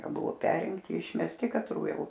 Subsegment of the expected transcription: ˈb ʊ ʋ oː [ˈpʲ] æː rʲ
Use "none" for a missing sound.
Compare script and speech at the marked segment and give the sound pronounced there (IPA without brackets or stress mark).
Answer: pʲ